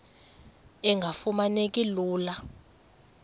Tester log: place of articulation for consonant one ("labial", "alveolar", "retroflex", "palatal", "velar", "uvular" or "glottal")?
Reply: velar